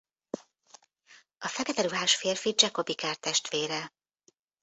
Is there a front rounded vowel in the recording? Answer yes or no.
no